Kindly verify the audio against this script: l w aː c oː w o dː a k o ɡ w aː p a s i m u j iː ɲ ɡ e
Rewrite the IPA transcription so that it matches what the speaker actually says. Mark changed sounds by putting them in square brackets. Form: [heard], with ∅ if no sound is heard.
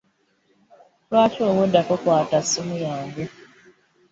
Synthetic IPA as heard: l w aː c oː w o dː a k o [k] w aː [t] a s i m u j [aː] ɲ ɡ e